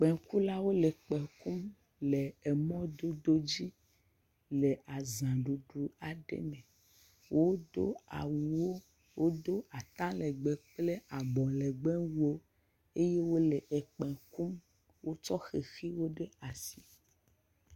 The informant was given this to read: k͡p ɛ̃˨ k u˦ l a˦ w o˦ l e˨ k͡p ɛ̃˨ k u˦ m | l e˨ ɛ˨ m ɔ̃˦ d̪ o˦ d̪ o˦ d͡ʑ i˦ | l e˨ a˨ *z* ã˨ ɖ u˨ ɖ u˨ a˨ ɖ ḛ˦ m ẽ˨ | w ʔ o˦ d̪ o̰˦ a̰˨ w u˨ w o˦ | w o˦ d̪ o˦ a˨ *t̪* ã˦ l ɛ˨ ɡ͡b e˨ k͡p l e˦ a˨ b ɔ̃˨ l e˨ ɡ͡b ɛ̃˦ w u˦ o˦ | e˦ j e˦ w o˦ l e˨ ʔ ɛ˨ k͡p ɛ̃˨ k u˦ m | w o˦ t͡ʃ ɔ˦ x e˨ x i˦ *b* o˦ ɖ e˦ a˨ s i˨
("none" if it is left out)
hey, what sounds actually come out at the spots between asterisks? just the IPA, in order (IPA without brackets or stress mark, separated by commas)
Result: z, t̪, w